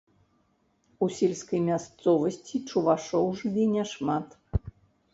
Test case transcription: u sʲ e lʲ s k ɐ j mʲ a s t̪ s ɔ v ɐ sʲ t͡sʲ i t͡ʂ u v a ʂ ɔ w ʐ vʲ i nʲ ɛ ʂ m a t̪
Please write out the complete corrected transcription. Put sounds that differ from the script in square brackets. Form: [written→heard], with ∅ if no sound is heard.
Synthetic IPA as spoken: u sʲ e lʲ s k ɐ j mʲ a s t̪ s ɔ v ɐ sʲ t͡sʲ i t͡ʂ u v a ʂ ɔ w ʐ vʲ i nʲ ɛ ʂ m a t̪